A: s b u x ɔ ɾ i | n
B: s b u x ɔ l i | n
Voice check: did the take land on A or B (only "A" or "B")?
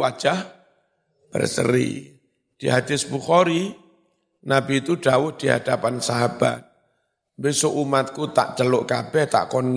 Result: A